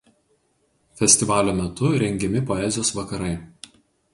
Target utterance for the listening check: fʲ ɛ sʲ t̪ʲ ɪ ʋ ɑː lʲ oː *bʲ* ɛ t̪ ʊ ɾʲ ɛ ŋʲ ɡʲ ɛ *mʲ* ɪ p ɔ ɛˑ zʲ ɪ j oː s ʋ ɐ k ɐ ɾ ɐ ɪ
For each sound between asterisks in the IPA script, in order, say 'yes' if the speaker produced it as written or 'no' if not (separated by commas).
no, yes